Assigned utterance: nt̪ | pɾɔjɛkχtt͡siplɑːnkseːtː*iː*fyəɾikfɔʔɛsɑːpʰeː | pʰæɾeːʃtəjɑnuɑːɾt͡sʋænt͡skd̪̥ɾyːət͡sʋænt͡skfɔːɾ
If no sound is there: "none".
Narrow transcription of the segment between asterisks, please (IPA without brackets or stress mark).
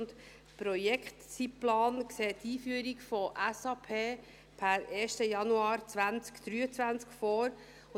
iː